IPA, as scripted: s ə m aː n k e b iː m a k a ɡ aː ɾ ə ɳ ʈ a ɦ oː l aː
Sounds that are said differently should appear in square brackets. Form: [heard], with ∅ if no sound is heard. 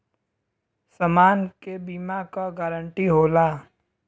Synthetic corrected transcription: s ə m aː n k e b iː m a k a ɡ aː ɾ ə ɳ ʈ [i] ɦ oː l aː